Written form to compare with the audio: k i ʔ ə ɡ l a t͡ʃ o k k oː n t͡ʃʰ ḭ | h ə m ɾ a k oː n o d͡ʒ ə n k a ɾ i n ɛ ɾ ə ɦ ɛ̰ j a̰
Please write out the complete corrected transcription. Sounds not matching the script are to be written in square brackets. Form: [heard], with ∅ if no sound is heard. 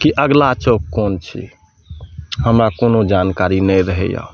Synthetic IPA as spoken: k i ʔ ə ɡ l a t͡ʃ o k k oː n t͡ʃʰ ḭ | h ə m ɾ a k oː n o d͡ʒ [a] n k a ɾ i n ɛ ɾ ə ɦ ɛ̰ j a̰